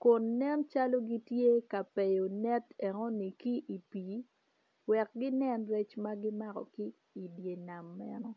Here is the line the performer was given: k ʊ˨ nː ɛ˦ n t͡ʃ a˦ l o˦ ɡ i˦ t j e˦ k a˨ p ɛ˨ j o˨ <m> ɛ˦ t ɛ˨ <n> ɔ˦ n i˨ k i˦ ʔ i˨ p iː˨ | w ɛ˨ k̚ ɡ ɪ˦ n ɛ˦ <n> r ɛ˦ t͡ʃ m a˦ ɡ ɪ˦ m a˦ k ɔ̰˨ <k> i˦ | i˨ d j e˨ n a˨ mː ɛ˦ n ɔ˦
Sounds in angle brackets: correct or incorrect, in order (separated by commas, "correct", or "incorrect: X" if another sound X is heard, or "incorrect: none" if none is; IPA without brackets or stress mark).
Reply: incorrect: n, incorrect: ŋ, correct, correct